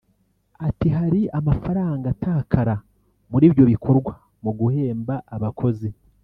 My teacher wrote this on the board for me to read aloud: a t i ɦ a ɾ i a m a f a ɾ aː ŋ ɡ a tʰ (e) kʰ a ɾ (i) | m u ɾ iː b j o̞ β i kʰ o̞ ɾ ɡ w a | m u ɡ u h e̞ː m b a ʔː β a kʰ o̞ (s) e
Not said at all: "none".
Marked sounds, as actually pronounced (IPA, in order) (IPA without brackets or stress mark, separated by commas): a, a, z